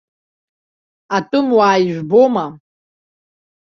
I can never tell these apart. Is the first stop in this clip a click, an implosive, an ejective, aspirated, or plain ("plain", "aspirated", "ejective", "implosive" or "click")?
ejective